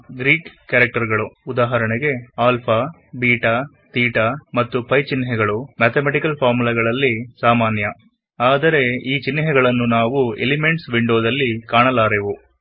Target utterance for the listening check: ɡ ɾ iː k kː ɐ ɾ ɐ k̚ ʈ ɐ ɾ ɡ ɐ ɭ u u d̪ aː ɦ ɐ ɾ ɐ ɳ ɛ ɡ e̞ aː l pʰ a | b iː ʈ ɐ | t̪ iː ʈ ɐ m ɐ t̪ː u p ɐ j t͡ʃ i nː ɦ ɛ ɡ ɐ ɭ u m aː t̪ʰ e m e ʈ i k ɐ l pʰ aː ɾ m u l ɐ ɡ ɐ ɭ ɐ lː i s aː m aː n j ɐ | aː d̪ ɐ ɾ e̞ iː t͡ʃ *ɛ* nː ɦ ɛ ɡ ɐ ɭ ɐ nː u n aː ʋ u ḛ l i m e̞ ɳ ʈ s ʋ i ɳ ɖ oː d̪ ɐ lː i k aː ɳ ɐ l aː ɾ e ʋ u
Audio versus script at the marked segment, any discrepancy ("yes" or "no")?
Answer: yes